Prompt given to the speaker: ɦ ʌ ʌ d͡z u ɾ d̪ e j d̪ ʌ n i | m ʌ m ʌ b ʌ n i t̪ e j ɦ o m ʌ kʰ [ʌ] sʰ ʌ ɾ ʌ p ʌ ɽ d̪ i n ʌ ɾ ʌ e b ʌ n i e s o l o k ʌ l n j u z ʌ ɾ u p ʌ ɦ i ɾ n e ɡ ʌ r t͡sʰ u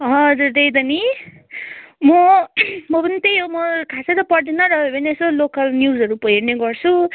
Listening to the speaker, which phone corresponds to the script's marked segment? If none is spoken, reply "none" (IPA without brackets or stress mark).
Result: a